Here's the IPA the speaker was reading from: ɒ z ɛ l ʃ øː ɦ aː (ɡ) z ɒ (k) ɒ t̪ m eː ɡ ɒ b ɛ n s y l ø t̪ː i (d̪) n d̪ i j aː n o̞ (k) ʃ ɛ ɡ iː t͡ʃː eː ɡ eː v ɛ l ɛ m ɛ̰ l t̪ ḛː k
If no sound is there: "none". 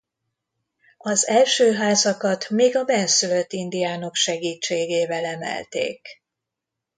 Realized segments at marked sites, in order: none, k, none, k

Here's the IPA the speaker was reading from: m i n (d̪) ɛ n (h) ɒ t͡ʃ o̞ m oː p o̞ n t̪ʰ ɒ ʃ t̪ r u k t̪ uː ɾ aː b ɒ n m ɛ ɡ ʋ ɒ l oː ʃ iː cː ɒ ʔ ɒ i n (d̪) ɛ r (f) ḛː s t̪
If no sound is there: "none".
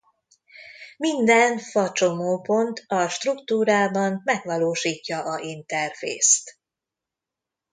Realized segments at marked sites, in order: d̪, f, t̪, f

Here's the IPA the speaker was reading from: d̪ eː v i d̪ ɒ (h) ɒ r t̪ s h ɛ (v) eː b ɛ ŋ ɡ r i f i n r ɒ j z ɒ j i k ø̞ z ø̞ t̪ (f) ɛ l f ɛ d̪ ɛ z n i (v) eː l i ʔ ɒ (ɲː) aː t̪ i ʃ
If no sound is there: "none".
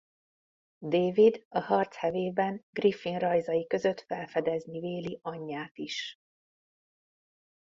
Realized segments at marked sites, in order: h, v, f, v, ɲː

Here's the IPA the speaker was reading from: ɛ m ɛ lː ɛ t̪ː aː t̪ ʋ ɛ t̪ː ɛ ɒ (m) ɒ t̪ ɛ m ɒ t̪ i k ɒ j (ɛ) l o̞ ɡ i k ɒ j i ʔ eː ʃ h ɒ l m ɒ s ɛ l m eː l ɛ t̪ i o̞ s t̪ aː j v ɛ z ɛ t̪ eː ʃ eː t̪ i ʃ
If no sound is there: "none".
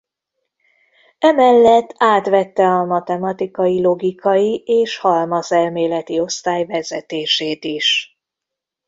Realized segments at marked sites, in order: m, i

